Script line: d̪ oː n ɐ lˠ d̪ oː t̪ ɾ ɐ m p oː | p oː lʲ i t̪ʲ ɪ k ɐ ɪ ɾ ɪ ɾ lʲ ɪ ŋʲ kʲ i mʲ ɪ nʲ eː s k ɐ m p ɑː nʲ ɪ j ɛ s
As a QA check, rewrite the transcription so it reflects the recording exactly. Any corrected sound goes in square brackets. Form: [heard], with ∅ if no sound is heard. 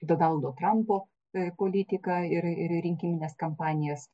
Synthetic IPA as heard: d̪ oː n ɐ lˠ d̪ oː t̪ ɾ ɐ m p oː | p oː lʲ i t̪ʲ ɪ k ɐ ɪ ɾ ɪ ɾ [ɾʲ] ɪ ŋʲ kʲ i mʲ ɪ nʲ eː s k ɐ m p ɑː nʲ ɪ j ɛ s